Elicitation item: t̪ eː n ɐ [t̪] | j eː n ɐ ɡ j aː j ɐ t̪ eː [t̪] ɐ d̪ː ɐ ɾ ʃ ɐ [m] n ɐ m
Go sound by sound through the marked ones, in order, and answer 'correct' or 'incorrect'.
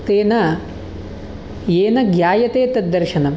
incorrect, correct, incorrect

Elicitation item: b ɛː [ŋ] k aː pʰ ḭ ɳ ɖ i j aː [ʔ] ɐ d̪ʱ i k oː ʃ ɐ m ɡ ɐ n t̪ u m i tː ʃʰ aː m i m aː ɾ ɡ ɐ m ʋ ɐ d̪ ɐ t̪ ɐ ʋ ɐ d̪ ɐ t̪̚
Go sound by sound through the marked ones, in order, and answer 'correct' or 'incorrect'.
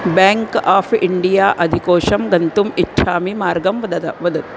correct, correct

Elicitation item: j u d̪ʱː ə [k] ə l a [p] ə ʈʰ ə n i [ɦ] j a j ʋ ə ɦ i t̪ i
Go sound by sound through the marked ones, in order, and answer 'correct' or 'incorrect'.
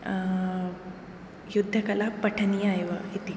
correct, correct, incorrect

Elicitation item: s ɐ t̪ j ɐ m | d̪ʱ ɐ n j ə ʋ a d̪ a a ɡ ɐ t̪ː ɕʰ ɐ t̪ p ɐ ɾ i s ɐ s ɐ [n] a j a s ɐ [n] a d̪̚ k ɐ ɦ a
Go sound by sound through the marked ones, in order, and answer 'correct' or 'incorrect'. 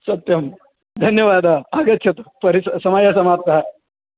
incorrect, incorrect

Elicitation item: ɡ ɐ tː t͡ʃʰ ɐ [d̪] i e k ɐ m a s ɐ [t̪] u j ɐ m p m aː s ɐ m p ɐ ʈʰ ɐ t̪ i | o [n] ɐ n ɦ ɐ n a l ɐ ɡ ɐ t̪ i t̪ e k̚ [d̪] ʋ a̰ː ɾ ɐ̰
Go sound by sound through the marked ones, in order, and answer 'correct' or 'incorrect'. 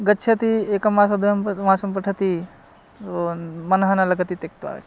incorrect, incorrect, incorrect, incorrect

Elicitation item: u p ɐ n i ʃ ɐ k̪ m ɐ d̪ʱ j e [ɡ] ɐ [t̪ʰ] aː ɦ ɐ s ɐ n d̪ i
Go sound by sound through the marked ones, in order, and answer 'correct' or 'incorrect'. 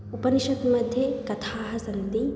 incorrect, correct

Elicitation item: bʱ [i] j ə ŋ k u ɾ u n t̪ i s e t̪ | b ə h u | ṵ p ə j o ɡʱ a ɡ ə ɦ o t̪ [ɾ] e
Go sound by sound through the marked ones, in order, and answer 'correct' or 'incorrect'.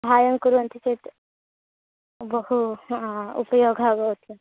incorrect, incorrect

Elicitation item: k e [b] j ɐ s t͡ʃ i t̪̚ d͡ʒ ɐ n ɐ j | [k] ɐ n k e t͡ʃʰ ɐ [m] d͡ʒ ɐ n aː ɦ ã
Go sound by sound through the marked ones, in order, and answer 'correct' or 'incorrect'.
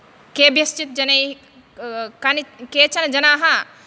correct, correct, incorrect

